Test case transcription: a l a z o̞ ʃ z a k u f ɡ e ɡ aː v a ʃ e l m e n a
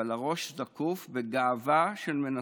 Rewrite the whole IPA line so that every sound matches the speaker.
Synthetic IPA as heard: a l a ʁ o̞ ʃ z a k u f b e ɡ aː v a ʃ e l m e n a